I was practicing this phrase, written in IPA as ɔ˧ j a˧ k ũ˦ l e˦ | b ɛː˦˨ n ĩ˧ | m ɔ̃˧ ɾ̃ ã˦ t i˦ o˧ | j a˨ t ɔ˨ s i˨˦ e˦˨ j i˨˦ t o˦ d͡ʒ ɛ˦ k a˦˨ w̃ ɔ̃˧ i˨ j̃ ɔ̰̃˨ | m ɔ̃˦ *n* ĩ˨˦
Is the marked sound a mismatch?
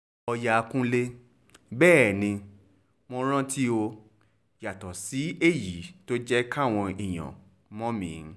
yes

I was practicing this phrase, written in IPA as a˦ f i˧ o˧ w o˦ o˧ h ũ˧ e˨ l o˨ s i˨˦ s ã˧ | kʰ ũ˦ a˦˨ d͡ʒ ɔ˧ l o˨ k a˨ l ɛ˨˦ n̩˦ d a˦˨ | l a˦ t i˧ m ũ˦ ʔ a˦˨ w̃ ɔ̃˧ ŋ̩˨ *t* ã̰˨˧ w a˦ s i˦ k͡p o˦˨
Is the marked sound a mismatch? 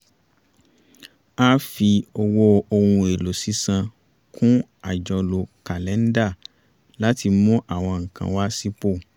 yes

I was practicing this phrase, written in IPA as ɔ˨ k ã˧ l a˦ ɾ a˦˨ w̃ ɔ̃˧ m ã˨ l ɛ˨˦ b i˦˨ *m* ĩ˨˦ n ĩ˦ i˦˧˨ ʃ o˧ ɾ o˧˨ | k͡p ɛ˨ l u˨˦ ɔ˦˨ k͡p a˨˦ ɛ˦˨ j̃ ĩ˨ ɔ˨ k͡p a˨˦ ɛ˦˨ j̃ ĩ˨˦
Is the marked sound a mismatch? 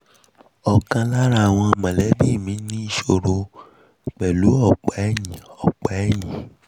no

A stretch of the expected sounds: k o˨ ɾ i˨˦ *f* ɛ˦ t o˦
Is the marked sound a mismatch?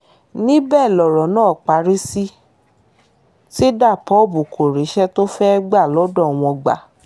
yes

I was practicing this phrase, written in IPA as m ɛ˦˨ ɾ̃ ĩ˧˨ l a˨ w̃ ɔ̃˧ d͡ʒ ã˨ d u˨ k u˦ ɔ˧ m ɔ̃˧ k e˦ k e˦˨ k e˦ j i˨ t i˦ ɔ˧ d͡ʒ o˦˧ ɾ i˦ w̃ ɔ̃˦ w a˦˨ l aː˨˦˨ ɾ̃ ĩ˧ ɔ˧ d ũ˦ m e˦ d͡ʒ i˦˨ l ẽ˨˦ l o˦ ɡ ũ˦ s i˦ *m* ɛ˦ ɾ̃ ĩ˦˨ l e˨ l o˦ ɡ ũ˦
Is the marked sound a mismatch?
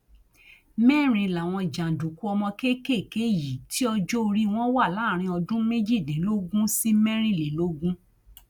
no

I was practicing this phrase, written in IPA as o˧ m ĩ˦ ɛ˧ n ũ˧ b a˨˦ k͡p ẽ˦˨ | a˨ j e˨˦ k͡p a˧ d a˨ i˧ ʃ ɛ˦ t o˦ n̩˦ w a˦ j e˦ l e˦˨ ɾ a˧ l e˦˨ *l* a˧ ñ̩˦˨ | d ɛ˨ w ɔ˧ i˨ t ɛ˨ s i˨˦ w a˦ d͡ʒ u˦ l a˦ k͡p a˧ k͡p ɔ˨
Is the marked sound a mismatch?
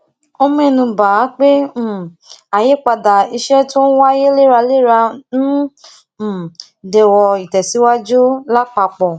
yes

